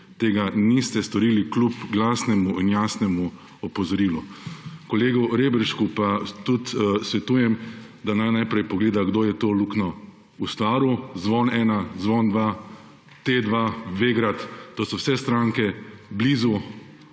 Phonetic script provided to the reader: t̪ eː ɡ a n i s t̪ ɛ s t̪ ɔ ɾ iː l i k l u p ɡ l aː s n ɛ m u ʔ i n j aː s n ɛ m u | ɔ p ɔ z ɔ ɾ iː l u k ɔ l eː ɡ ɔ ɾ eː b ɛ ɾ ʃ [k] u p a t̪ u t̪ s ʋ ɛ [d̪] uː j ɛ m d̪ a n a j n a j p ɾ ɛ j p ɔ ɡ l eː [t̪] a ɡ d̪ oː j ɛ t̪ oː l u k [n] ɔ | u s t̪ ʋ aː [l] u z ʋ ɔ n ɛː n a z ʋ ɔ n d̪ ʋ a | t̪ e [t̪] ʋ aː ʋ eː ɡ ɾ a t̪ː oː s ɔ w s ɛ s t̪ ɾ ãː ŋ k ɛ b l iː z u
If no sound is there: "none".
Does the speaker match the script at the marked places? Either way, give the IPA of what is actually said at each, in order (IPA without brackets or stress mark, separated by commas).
k, t̪, d̪, n, ɾ, d̪